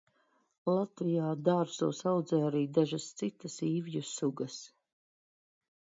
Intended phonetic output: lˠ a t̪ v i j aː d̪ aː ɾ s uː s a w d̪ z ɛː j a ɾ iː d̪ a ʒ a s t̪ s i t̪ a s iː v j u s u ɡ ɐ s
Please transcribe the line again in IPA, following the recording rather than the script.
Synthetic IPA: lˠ a t̪ v i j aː d̪ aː ɾ s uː s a w d̪ z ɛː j a ɾ iː d̪ a ʒ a s t̪ s i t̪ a s iː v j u s u ɡ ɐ s

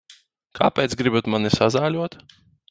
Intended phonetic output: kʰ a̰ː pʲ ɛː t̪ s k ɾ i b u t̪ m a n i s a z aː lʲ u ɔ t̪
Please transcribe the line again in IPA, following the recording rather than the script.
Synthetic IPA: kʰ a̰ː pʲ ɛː t̪ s ɡ ɾ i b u t̪ m a n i s a z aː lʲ u ɔ t̪

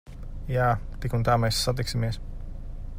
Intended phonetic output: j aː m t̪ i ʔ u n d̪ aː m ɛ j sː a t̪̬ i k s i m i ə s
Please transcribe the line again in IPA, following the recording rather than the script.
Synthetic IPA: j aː t̪ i k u n t̪ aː m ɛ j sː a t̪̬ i k s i m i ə s

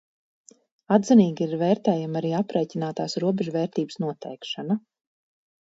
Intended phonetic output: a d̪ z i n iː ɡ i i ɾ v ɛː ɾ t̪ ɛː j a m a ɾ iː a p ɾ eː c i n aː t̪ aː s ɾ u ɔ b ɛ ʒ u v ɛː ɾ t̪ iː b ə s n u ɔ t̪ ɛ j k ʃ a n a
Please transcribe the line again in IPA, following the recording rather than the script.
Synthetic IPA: a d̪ z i n iː ɡ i i ɾ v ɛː ɾ t̪ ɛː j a m a ɾ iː a p ɾ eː c i n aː t̪ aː s ɾ u ɔ b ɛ ʒ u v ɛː ɾ t̪ iː b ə s n u ɔ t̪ ɛ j k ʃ a n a

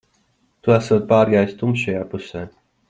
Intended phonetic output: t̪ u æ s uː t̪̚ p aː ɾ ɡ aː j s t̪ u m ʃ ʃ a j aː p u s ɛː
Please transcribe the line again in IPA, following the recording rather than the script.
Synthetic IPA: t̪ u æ s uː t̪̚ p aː ɾ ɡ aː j s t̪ u m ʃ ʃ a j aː p u s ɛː

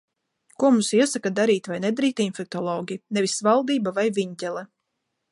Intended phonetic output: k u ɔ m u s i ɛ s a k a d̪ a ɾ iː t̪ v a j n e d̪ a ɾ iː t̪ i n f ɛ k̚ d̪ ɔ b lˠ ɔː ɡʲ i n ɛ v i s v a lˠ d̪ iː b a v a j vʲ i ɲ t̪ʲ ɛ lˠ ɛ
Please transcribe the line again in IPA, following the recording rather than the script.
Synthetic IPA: k u ɔ m u s i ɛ s a k a d̪ a ɾ iː t̪ v a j n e d̪ a ɾ iː t̪ i n f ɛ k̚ t̪ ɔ lˠ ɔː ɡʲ i n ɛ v i s v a lˠ d̪ iː b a v a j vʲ i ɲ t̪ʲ ɛ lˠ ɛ

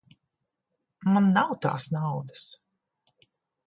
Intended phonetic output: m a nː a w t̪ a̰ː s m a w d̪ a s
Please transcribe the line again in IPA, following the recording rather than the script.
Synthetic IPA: m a nː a w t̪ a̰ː s n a w d̪ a s

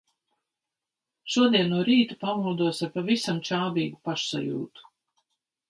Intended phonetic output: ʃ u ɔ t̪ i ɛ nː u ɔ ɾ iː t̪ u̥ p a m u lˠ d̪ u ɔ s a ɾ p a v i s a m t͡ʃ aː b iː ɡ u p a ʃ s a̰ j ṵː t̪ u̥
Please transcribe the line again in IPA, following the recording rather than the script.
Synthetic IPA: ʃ u ɔ d̪ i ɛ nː u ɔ ɾ iː t̪ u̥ p a m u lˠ d̪ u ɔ s a ɾ p a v i s a m t͡ʃ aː b iː ɡ u p a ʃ s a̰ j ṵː t̪ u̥

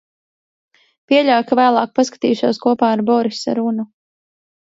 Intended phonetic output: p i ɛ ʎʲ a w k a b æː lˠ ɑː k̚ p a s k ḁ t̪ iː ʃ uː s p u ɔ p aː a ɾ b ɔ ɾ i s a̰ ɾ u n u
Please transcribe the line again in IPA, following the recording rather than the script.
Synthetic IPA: p i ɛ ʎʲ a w k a v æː lˠ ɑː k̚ p a s k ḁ t̪ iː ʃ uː s k u ɔ p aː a ɾ b ɔ ɾ i s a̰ ɾ u n u

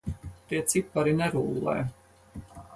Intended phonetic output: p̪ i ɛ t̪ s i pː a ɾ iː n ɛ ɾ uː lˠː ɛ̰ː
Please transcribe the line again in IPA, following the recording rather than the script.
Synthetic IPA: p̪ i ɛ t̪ s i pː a ɾ i n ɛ ɾ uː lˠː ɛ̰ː

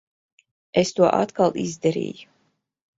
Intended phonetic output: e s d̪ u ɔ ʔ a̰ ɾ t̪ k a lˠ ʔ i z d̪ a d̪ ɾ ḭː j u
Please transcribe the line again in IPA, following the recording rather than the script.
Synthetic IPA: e s t̪ u ɔ ʔ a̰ t̪ k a lˠ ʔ i z d̪ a ɾ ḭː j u

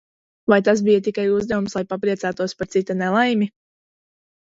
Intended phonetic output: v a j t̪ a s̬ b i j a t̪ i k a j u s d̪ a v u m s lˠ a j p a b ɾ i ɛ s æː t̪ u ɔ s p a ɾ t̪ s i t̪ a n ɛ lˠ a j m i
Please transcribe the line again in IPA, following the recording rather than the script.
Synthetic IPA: v a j t̪ a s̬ b i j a t̪ i k a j u z d̪ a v u m s lˠ a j p a p ɾ i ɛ s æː t̪ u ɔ s p a ɾ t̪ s i t̪ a n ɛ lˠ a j m i

